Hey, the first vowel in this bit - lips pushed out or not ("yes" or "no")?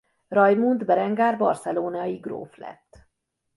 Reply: yes